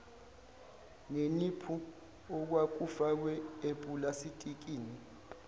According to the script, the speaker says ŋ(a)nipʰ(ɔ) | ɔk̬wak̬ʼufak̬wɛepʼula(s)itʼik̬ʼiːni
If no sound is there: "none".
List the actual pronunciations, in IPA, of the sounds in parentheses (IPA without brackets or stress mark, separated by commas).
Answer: e, u, s